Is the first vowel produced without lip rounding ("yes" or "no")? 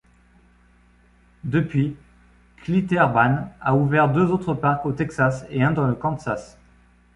yes